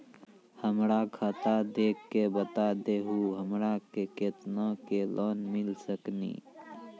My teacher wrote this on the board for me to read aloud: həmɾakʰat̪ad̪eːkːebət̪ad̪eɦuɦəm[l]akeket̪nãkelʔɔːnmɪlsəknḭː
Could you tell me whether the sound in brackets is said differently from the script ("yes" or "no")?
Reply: yes